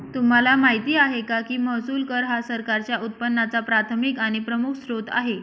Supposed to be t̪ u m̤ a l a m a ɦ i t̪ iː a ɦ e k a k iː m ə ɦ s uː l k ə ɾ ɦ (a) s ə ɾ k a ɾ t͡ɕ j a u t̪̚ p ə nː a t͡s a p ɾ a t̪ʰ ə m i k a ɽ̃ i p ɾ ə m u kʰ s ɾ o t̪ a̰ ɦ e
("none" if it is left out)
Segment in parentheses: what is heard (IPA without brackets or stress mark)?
a